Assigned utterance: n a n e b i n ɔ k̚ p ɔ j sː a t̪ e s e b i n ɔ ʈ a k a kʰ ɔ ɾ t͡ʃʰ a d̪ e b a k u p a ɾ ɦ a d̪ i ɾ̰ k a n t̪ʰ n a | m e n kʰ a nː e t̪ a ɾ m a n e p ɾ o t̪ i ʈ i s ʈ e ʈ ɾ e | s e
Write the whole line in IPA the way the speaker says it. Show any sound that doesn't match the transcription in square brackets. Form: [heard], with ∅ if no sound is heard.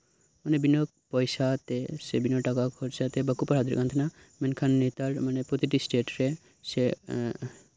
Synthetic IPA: [m] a n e b i n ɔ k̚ p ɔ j [s] a t̪ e s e b i n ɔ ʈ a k a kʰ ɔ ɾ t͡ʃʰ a [t̪] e b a k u p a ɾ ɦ a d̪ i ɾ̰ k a n t̪ʰ n a | m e n kʰ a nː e t̪ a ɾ m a n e p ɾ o t̪ i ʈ i s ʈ e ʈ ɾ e | s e